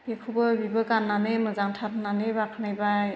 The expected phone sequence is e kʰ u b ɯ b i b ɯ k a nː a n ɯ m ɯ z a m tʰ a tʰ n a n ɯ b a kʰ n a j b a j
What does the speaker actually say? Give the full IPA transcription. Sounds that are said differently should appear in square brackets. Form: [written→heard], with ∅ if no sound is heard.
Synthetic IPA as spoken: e kʰ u b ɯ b i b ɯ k a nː a n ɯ m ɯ z a [m→ŋ] tʰ a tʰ n a n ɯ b a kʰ n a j b a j